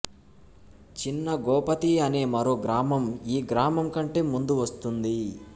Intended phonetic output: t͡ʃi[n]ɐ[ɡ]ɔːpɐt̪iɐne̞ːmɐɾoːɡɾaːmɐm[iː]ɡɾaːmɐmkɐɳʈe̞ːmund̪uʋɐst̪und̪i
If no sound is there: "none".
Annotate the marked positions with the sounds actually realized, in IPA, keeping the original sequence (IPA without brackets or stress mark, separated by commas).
nː, ɡ, iː